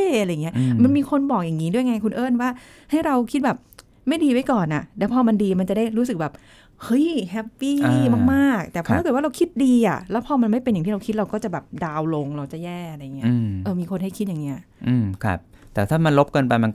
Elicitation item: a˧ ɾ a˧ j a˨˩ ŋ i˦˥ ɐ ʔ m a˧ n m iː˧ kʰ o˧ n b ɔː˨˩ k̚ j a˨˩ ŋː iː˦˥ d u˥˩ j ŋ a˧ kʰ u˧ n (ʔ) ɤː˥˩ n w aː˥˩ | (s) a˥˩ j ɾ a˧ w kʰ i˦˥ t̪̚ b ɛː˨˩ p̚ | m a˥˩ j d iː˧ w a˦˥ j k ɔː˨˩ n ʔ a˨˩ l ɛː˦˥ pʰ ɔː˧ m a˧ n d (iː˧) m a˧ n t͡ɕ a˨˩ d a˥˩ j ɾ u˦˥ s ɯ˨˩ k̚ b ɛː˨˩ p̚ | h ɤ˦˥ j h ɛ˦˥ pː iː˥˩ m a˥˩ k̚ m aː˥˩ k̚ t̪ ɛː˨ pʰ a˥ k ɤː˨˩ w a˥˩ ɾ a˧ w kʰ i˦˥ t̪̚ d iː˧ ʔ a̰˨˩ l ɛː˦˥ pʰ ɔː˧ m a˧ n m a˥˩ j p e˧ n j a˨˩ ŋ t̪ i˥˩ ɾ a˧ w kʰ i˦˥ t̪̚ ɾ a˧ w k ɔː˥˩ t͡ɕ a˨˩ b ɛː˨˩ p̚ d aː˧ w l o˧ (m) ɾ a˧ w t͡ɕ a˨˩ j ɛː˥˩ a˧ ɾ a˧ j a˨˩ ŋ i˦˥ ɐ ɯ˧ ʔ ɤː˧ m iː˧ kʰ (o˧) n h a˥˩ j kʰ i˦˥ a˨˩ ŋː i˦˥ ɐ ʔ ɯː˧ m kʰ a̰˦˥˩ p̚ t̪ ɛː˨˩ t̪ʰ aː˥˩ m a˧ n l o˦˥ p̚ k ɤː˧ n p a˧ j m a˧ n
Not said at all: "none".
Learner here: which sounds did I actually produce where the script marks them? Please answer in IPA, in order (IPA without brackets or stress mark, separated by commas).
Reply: ʔ, h, iː˧, ŋ, o˧